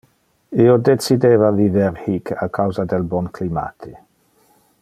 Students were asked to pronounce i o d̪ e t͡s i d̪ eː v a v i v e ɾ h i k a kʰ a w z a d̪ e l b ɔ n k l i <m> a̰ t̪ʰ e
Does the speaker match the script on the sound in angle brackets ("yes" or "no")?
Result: yes